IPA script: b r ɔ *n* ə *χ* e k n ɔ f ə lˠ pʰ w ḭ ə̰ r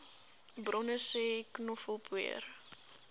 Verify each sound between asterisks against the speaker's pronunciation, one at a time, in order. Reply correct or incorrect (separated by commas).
correct, incorrect